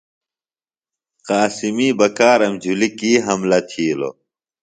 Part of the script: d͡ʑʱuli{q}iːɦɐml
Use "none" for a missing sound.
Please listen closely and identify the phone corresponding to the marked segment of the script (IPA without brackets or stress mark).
k